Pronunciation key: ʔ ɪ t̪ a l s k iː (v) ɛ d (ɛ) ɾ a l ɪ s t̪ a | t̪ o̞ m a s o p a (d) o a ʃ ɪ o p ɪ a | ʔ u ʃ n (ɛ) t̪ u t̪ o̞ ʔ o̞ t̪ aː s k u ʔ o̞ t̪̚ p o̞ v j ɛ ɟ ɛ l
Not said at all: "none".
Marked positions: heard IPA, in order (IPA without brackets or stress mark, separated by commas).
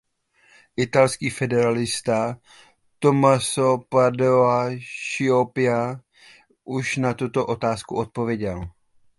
f, ɛ, d, a